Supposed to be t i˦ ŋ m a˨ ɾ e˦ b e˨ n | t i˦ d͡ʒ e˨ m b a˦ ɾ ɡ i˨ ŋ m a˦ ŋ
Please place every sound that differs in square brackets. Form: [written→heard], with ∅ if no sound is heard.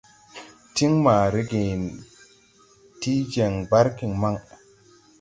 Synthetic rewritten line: t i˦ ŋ m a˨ ɾ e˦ [b→ɡ] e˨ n | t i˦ d͡ʒ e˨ [m→ŋ] b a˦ ɾ [ɡ→k] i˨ ŋ m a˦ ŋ